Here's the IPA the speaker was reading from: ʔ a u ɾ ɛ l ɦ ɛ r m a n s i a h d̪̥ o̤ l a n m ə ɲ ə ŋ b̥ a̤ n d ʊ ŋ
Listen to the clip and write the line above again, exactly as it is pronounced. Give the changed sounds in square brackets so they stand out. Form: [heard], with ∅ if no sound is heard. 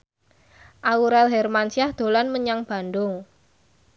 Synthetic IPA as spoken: ʔ a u ɾ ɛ l ɦ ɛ r m a n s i a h d̪̥ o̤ l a n m ə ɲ [a] ŋ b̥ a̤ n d ʊ ŋ